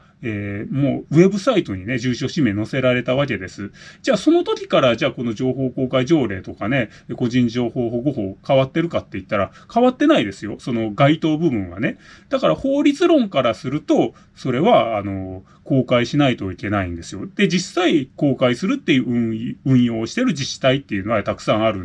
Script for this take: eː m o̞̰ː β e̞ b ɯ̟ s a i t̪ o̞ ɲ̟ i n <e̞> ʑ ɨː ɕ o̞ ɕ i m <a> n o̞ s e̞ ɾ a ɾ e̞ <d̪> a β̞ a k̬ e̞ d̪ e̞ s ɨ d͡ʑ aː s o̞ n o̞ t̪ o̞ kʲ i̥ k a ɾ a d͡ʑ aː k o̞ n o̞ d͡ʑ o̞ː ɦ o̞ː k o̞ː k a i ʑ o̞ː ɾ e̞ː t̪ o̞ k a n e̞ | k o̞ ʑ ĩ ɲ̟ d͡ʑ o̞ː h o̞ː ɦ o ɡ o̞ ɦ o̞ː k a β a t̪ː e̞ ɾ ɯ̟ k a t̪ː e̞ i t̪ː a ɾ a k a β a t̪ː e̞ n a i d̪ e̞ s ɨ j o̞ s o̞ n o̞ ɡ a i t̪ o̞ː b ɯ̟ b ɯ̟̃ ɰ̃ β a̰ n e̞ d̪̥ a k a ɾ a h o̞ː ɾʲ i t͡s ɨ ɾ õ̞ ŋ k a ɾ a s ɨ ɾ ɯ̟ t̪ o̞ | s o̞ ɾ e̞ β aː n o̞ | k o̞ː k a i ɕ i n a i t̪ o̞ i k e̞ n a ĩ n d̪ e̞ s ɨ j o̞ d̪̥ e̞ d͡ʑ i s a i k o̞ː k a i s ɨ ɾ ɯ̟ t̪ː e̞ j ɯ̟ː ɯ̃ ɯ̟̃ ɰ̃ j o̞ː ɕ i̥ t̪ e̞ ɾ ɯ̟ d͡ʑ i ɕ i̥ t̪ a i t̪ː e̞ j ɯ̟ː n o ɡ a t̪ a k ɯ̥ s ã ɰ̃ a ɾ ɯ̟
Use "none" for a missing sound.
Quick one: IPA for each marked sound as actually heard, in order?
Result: e̞, e, t̪

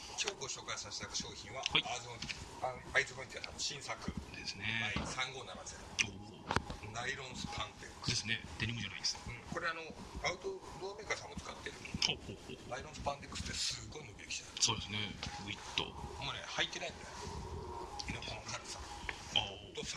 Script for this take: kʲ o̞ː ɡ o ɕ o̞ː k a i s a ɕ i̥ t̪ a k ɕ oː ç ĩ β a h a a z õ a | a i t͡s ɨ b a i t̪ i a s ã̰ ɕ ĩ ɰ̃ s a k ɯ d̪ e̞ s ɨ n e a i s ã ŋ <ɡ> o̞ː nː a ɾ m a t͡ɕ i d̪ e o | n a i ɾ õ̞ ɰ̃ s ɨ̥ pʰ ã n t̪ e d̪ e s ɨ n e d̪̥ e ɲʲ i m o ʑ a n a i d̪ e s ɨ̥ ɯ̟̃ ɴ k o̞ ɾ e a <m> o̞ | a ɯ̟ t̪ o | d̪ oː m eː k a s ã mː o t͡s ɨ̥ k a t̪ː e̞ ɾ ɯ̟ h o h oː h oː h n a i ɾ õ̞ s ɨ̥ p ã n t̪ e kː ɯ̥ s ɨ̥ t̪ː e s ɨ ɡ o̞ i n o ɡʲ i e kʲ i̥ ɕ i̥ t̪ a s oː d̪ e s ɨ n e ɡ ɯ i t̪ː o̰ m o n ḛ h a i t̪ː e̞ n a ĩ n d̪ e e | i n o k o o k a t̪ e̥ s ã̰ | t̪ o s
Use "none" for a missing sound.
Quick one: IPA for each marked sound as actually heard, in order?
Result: ɡ, n

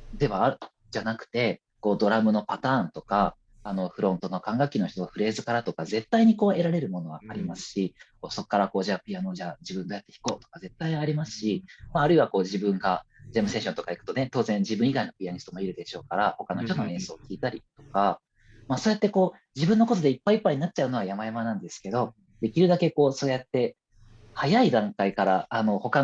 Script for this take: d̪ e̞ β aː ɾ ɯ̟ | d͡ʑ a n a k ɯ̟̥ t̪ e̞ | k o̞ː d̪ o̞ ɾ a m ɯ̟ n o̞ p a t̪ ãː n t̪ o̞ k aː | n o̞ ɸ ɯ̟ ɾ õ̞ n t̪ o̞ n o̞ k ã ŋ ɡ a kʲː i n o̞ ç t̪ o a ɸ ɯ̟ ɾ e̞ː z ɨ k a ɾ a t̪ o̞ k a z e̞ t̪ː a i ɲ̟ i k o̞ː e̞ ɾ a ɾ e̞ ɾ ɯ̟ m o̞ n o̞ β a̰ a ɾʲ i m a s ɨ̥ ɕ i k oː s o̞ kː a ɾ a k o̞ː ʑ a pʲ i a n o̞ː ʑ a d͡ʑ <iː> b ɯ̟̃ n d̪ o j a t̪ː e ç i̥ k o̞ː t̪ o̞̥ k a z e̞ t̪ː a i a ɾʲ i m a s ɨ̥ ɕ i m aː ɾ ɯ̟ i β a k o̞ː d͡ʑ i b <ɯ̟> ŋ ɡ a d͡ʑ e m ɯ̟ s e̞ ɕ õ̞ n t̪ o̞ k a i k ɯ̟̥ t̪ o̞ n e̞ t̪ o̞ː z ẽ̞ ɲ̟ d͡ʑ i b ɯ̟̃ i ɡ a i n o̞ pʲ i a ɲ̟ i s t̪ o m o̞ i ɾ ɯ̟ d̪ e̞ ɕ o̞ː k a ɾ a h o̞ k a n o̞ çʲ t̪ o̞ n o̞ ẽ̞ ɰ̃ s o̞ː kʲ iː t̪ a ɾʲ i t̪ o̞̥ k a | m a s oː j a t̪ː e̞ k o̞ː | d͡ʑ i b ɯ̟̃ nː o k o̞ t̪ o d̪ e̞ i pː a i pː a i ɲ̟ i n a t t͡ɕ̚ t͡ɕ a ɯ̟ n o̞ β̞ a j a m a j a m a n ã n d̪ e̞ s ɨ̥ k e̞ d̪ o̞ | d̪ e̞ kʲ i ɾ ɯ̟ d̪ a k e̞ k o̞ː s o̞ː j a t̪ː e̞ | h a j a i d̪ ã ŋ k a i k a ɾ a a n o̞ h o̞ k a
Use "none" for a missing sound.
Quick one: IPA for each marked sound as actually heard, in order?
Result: i, ɯ̟̃

